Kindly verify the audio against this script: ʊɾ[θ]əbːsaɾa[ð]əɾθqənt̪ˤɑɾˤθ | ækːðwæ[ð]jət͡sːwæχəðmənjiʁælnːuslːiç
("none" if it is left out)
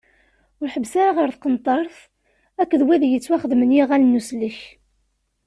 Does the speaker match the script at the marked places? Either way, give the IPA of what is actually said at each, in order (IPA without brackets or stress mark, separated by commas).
ħ, ʁ, ð